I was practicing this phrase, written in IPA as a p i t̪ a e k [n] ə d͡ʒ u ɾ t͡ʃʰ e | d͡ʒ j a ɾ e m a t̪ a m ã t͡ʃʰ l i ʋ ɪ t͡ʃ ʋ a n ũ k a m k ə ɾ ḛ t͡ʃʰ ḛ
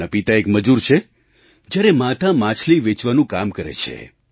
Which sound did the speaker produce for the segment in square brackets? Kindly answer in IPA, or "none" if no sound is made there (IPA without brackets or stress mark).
m